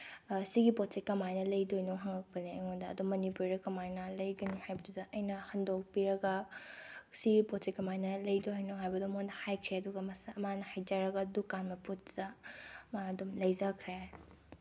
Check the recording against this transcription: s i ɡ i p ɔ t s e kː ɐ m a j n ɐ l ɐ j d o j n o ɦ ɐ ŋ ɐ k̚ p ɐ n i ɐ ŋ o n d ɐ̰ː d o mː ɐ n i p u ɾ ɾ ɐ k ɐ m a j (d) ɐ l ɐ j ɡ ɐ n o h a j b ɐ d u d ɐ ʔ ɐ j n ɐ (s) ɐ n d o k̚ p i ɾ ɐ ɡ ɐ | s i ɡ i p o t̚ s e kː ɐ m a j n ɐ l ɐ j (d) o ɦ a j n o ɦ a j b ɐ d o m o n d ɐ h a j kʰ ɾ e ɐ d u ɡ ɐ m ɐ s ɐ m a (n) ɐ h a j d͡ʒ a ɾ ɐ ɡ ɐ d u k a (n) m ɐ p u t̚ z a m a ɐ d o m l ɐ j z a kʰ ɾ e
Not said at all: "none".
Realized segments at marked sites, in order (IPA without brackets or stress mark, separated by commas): n, h, d, n, n